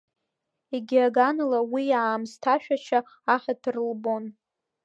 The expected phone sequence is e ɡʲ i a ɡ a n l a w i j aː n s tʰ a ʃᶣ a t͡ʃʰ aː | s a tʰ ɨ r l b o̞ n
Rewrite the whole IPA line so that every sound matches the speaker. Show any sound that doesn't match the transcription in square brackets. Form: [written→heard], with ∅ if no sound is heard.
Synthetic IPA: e ɡʲ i a ɡ a n l a w i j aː [n→m] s tʰ a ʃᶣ a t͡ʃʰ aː | [s→ħ] a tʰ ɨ r l b o̞ n